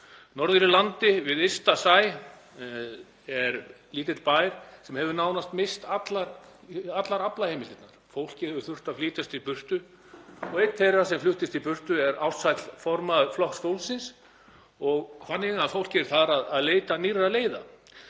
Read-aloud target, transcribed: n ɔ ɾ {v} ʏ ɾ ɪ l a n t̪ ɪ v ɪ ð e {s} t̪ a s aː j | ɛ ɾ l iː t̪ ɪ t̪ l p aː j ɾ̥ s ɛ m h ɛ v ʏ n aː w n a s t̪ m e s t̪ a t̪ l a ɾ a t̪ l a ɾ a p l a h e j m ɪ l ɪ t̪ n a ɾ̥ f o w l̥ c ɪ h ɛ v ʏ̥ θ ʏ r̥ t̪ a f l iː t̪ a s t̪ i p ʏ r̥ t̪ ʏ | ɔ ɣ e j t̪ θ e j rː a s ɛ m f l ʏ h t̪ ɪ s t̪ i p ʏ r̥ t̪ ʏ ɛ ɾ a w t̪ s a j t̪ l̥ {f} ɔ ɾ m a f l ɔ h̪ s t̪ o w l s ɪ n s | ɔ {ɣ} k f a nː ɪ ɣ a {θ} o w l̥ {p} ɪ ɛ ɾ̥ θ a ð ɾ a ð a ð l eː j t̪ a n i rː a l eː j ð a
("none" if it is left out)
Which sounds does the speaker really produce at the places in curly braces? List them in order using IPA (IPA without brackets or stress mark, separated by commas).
ð, s, f, ɣ, f, c